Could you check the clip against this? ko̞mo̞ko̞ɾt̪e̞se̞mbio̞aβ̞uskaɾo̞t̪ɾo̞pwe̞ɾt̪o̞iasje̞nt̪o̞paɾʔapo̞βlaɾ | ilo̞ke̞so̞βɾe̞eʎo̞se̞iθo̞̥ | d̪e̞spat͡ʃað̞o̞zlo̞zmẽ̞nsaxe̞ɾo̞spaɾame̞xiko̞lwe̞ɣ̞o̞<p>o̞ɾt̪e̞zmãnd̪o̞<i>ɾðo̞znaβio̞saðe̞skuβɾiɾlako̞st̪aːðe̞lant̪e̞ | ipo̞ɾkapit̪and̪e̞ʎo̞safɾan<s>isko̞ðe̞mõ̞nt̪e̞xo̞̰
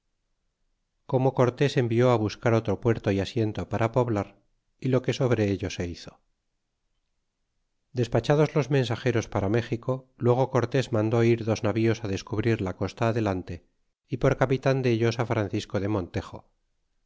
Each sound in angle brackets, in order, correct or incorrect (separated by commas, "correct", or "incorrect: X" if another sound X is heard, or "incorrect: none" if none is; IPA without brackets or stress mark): incorrect: k, correct, incorrect: θ